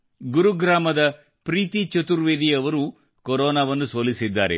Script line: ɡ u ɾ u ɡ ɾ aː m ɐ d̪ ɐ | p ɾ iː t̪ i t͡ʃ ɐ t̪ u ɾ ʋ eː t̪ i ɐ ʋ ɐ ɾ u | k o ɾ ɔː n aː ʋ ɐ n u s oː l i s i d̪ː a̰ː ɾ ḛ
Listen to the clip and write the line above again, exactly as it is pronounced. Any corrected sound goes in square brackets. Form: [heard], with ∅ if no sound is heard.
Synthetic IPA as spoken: ɡ u ɾ u ɡ ɾ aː m ɐ d̪ ɐ | p ɾ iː t̪ i t͡ʃ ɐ t̪ u ɾ ʋ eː [d̪] i ɐ ʋ ɐ ɾ u | k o ɾ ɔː n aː ʋ ɐ [nː] u s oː l i s i d̪ː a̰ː ɾ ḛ